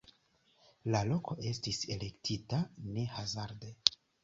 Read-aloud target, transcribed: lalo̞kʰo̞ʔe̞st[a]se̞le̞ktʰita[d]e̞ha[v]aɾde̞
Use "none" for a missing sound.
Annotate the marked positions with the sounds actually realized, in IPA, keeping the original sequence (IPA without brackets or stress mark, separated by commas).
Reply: i, n, z